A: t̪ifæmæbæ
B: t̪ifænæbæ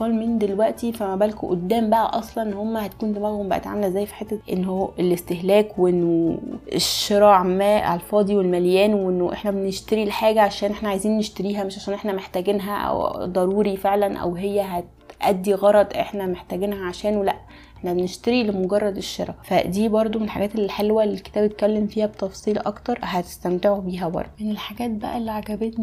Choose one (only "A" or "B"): A